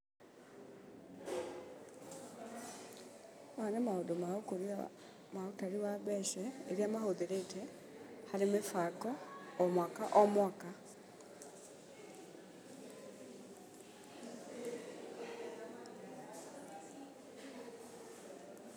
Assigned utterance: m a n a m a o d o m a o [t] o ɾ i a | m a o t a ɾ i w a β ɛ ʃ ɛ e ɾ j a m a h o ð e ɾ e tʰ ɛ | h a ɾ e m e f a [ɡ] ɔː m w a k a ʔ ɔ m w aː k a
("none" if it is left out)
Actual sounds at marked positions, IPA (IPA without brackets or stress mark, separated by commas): k, k